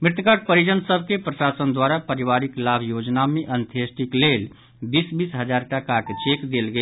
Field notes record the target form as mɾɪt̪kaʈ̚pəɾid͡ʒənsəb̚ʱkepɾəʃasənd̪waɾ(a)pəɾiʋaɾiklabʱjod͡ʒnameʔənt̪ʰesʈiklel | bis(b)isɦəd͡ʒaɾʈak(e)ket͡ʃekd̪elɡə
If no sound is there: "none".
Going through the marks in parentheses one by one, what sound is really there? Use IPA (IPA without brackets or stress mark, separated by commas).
a, b, a